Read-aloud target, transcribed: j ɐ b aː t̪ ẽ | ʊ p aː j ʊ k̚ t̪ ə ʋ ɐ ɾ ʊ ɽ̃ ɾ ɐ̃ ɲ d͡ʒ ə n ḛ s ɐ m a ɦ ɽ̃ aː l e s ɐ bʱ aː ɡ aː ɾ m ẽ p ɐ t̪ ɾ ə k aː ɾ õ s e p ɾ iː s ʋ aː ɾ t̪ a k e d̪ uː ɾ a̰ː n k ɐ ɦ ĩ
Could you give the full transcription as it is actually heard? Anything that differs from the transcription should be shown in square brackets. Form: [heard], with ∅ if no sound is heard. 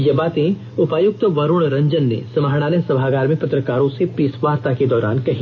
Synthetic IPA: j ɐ b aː t̪ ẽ | ʊ p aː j ʊ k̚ t̪ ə ʋ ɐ ɾ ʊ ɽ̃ ɾ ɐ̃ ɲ d͡ʒ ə [nː] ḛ s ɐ m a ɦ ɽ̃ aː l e s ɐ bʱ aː ɡ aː ɾ m ẽ p ɐ t̪ ɾ ə k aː ɾ õ s e p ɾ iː s ʋ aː ɾ t̪ a k e d̪ [ɔː] ɾ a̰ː n k ɐ ɦ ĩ